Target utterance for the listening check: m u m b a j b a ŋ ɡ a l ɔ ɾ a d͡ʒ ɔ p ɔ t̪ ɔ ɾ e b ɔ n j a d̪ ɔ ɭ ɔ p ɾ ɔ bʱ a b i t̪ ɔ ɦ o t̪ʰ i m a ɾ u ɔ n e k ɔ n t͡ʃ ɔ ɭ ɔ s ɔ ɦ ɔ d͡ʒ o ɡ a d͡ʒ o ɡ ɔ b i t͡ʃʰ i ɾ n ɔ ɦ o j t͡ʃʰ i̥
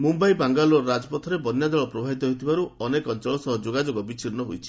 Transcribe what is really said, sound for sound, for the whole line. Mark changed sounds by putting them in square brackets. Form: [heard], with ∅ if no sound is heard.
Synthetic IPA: m u m b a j b a ŋ ɡ a l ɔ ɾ a d͡ʒ ɔ p ɔ [t̪ʰ] ɔ ɾ e b ɔ n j a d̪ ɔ ɭ ɔ p ɾ ɔ bʱ a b i t̪ ɔ ɦ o t̪ʰ i [b] a ɾ u ɔ n e k ɔ n t͡ʃ ɔ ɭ ɔ s ɔ ɦ ɔ d͡ʒ o ɡ a d͡ʒ o ɡ ɔ b i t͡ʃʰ i ɾ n ɔ ɦ o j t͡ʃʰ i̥